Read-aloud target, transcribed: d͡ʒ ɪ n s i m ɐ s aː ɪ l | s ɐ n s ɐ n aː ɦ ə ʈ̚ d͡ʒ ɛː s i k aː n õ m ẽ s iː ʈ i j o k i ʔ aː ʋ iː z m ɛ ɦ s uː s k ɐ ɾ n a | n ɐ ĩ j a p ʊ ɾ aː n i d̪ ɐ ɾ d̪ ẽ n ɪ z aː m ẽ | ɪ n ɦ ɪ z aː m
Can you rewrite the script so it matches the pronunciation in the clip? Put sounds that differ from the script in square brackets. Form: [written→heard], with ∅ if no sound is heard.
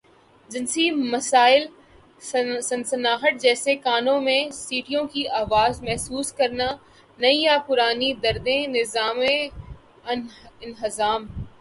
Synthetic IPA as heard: d͡ʒ ɪ n s i m ɐ s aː ɪ l | s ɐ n s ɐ n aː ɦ ə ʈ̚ d͡ʒ ɛː s [i→e] k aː n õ m ẽ s iː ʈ i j [o→õ] k i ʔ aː ʋ [iː→aː] z m ɛ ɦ s uː s k ɐ ɾ n a | n ɐ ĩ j a p ʊ ɾ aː n i d̪ ɐ ɾ d̪ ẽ n ɪ z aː m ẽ | ɪ n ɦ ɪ z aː m

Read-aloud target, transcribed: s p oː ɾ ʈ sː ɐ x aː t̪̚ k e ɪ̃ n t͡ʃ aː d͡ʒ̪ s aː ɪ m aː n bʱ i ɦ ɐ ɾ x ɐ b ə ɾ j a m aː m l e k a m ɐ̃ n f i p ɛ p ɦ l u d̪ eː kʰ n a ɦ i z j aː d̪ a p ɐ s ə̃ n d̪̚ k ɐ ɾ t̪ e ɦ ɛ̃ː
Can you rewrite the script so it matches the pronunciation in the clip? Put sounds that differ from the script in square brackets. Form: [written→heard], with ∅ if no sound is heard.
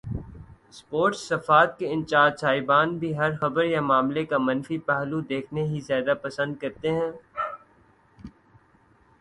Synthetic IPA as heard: s p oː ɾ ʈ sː ɐ [x→f] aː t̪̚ k e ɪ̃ n t͡ʃ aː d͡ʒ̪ s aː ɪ [m→b] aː n bʱ i ɦ ɐ ɾ x ɐ b ə ɾ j a m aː m l e k a m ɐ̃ n f i p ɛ [p→∅] ɦ l u d̪ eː kʰ n [a→e] ɦ i z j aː d̪ a p ɐ s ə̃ n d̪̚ k ɐ ɾ t̪ e ɦ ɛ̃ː

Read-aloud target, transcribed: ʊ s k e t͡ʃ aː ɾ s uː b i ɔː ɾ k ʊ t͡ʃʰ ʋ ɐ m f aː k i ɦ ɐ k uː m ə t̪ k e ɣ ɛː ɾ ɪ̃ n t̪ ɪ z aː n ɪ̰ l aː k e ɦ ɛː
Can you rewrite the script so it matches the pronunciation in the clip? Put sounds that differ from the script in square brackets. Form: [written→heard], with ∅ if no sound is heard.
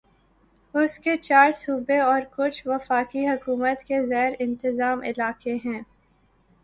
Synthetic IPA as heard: ʊ s k e t͡ʃ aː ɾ s uː b [i→e] ɔː ɾ k ʊ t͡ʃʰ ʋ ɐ [m→∅] f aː k i ɦ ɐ k uː m ə t̪ k e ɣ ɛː ɾ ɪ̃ n t̪ ɪ z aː [n→m] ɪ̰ l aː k e ɦ [ɛː→ɛ̃ː]

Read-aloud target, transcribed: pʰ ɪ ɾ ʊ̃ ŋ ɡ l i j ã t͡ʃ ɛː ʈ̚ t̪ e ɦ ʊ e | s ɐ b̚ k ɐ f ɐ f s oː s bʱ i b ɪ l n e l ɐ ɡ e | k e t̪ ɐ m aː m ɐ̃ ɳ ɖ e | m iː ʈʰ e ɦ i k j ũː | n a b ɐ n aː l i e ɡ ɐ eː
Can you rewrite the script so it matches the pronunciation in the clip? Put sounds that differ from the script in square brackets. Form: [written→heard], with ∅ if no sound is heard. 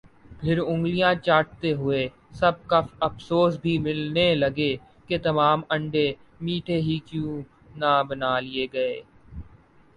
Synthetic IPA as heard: pʰ ɪ ɾ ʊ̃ ŋ ɡ l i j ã t͡ʃ [ɛː→aː] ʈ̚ t̪ e ɦ ʊ e | s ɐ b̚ k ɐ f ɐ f s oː s bʱ i [b→m] ɪ l n e l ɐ ɡ e | k e t̪ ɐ m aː m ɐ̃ ɳ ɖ e | m iː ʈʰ e ɦ i k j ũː | n a b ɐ n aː l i e ɡ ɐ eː

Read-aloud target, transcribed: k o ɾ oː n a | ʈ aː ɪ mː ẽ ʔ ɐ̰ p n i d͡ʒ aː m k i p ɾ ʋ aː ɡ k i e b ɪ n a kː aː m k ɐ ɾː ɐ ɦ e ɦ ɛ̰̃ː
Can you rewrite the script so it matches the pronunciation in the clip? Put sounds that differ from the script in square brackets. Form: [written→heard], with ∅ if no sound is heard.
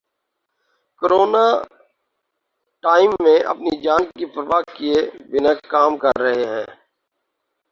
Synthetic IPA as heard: k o ɾ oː n a | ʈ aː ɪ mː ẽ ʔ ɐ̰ p n i d͡ʒ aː [m→n] k i p ɾ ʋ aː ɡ k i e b ɪ n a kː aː m k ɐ ɾː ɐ ɦ e ɦ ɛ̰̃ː

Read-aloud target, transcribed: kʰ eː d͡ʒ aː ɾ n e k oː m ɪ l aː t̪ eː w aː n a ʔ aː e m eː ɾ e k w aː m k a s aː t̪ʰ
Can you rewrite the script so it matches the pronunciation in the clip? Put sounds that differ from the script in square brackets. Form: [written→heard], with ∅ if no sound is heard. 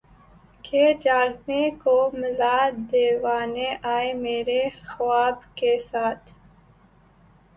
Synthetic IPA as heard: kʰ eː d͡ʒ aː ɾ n e k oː m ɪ l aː [t̪→d̪] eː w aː n [a→e] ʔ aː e m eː ɾ e [k→x] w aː [m→b] k [a→e] s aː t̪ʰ

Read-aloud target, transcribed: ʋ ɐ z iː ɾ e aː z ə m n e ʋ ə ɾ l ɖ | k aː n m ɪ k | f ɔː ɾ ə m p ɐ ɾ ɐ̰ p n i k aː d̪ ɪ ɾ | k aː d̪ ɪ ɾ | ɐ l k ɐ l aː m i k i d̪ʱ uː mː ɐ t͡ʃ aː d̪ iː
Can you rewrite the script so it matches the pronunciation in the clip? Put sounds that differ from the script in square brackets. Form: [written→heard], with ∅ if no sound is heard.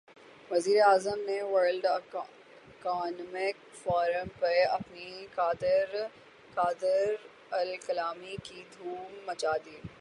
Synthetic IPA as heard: ʋ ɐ z iː ɾ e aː z ə m n e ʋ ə ɾ l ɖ | k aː n m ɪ k | f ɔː ɾ ə m p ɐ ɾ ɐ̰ p n i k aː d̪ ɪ ɾ | k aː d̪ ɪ ɾ | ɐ l k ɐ l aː m i k i d̪ʱ uː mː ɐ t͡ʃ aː d̪ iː

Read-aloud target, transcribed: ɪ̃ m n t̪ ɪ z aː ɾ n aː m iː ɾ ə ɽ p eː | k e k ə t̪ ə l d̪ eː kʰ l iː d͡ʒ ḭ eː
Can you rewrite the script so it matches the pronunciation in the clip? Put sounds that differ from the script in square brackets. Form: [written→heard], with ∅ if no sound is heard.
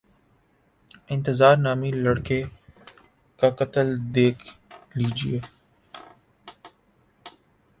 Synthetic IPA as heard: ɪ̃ [m→∅] n t̪ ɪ z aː ɾ n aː m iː [ɾ→l] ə ɽ [p→k] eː | k [e→a] k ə t̪ ə l d̪ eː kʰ l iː d͡ʒ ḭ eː

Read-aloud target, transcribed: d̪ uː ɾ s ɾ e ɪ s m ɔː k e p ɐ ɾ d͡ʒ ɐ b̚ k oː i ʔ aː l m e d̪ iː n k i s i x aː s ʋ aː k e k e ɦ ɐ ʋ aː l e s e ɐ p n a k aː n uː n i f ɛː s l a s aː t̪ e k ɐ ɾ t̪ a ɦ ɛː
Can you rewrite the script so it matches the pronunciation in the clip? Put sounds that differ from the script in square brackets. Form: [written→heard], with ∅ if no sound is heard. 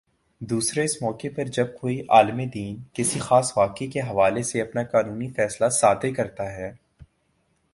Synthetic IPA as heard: d̪ uː [ɾ→∅] s ɾ e ɪ s m ɔː k e p ɐ ɾ d͡ʒ ɐ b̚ k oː i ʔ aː l m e d̪ iː n k [i→ɪ] s i x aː s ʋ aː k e k e ɦ ɐ ʋ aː l e s e ɐ p n a k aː n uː n i f ɛː s l a s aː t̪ e k ɐ ɾ t̪ a ɦ ɛː

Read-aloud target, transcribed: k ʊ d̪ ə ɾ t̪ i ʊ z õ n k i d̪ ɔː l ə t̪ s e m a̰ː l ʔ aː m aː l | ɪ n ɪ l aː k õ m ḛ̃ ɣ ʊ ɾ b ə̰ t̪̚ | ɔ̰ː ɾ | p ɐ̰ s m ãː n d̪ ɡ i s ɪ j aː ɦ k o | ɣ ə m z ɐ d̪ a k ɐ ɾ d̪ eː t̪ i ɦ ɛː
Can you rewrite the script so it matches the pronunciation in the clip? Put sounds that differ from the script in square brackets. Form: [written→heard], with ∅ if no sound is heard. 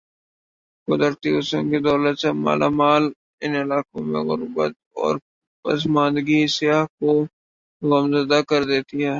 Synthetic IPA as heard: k ʊ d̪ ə ɾ t̪ i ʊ [z→s] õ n k i d̪ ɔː l ə t̪ s e m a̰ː l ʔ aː m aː l | ɪ n ɪ l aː k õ m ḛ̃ ɣ ʊ ɾ b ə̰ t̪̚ | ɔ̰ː ɾ | p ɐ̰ s m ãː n d̪ ɡ i s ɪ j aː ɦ k o | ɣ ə m z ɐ d̪ a k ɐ ɾ d̪ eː t̪ i ɦ ɛː

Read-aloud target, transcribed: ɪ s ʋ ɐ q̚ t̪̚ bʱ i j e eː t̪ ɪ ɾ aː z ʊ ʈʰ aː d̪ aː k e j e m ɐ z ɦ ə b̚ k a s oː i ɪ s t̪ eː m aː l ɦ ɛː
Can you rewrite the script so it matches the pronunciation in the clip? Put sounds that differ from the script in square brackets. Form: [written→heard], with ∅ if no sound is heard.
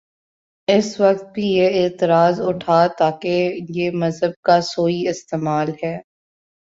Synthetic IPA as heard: ɪ s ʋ ɐ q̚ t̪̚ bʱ i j e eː t̪ ɪ ɾ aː z ʊ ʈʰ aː [d̪→t̪] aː k e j e m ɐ z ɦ ə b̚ k a s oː i ɪ s t̪ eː m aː l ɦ ɛː

